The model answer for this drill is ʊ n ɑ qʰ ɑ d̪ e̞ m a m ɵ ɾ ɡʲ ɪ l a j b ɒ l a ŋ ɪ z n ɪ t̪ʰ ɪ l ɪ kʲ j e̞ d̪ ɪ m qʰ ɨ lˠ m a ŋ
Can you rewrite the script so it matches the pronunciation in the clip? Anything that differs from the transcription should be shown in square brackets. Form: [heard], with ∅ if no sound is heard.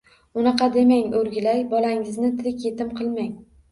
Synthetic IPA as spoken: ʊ n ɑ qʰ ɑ d̪ e̞ m a [ŋ] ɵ ɾ ɡʲ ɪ l a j b ɒ l a ŋ ɪ z n ɪ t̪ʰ ɪ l ɪ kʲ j e̞ [t̪] ɪ m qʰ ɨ lˠ m a ŋ